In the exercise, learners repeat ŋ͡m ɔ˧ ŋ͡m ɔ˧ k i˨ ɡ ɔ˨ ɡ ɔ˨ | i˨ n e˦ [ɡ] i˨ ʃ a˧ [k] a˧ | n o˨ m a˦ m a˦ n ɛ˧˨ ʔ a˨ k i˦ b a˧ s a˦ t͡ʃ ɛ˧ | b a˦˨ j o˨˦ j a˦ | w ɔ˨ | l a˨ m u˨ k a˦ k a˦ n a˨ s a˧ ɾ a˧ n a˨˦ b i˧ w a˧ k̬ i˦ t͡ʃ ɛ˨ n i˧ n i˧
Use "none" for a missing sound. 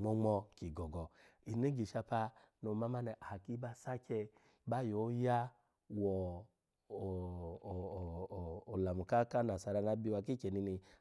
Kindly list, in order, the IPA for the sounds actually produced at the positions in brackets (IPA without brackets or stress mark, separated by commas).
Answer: ɡ, p